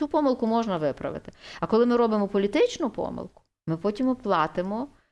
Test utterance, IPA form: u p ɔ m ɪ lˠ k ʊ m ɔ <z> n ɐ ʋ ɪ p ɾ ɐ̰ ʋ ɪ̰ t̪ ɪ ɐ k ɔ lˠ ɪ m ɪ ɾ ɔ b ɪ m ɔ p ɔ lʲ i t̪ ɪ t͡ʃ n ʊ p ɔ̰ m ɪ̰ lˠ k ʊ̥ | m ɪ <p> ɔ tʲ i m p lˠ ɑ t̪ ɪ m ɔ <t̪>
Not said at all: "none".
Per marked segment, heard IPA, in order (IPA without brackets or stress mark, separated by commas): ʒ, p, none